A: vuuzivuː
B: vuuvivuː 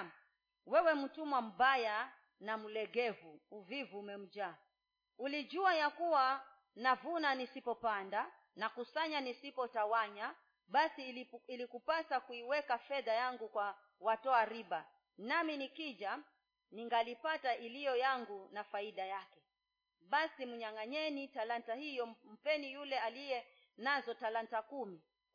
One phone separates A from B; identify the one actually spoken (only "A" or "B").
B